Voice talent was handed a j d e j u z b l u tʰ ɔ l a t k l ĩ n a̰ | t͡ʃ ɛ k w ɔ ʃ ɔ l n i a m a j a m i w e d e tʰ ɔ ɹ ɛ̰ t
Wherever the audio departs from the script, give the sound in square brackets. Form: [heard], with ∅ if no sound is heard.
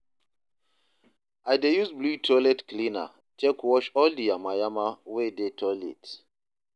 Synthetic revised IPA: a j d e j u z b l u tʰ ɔ l [ɛ] t k l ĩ n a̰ | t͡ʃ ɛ k w ɔ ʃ ɔ l [d] i a m a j a m [a] w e d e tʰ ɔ [l] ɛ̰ t